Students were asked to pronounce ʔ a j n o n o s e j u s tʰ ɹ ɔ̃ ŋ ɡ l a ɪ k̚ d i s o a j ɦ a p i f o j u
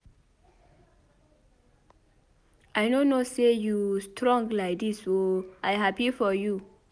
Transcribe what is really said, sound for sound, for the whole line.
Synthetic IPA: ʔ a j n o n o s e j u s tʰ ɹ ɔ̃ ŋ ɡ l a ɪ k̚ d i s o a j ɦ a p i f ɔ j u